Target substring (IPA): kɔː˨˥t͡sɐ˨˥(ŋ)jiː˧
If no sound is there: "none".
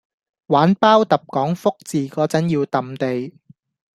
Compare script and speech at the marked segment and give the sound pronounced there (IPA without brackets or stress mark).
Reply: n